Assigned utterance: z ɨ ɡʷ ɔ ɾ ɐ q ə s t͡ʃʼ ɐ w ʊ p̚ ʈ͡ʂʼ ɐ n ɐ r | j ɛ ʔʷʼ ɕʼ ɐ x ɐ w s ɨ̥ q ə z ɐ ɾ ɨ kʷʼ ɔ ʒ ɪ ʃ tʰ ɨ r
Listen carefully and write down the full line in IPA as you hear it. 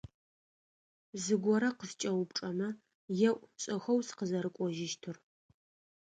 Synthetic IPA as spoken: z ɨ ɡʷ ɔ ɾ ɐ q ə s t͡ʃʼ ɐ w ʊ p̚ ʈ͡ʂʼ ɐ m ɐ | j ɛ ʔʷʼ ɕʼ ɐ x ɐ w s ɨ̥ q ə z ɐ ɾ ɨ kʷʼ ɔ ʒ ɪ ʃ tʰ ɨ r